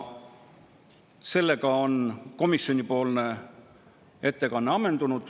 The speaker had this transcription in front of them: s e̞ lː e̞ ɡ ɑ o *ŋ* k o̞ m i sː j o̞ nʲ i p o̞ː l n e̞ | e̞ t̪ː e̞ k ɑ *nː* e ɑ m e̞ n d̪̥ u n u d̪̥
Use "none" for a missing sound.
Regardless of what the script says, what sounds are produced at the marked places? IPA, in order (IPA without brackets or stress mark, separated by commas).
n, nː